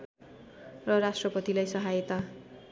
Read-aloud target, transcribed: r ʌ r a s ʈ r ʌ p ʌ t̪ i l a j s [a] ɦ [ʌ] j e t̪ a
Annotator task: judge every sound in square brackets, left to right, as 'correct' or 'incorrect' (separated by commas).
incorrect, incorrect